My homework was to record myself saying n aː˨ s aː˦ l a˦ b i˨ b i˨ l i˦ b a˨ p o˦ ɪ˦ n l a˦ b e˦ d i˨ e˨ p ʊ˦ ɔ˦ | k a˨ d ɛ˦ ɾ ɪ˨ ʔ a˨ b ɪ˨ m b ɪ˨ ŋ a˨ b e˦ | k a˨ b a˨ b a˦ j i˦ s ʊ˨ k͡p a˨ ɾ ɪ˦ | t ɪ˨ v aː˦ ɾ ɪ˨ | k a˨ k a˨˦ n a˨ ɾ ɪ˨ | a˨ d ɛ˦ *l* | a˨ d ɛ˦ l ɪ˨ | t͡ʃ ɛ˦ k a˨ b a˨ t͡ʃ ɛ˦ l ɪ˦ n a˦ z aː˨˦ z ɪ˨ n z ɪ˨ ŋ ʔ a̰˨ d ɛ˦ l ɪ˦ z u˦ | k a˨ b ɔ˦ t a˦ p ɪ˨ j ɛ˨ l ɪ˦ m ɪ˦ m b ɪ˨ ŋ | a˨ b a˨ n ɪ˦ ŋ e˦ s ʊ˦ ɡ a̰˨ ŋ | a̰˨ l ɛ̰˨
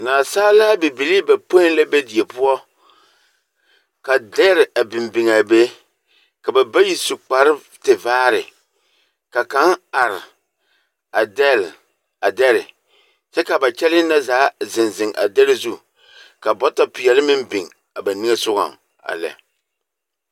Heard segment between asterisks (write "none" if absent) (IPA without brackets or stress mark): l